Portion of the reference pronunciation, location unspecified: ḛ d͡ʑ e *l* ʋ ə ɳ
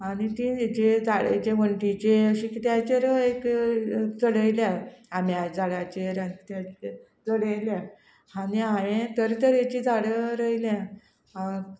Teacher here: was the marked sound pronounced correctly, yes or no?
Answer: no